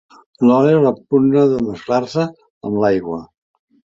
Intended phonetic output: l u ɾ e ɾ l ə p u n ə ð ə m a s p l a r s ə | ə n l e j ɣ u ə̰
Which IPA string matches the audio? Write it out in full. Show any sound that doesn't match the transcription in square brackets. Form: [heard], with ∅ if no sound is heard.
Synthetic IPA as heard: l [ɔ] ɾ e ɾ l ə p u n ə ð ə m [ə] s [k] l a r s ə | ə [m] l [a] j ɣ [w] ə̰